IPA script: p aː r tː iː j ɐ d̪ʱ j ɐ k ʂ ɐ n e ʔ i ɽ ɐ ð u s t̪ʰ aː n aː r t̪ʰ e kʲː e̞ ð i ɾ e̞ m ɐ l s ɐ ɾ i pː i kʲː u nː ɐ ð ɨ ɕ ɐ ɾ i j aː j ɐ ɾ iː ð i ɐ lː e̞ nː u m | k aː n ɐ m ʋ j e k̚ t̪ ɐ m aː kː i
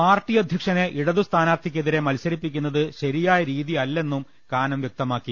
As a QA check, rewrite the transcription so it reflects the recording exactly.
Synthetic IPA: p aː r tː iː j ɐ d̪ʱ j ɐ k ʂ ɐ n e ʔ i ɽ ɐ ð u s t̪ʰ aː n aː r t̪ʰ i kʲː e̞ ð i ɾ e̞ m ɐ l s ɐ ɾ i pː i kʲː u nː ɐ ð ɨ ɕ ɐ ɾ i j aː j ɐ ɾ iː ð i ɐ lː e̞ nː u m | k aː n ɐ m ʋ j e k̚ t̪ ɐ m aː kː i